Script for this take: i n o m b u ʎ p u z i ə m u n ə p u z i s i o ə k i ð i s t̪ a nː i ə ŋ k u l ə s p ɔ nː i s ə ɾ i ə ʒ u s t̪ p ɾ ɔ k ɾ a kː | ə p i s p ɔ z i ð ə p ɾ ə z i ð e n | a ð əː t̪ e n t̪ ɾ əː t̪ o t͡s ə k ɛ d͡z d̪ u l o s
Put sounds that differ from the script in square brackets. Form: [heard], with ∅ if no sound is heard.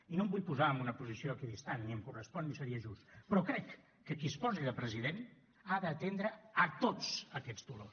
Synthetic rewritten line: i n o m b u ʎ p u z [a] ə m u n ə p u z i s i o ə k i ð i s t̪ a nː i ə [m] k u [r] ə s p ɔ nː i s ə ɾ i ə ʒ u s t̪ p ɾ ɔ k ɾ [ɛ] kː | ə [k] i s p ɔ z i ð ə p ɾ ə z i ð e n | a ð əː t̪ e n [d̪] ɾ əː t̪ o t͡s ə k ɛ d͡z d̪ u l o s